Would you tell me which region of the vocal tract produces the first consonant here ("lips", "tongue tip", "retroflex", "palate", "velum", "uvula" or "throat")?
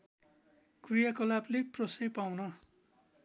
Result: velum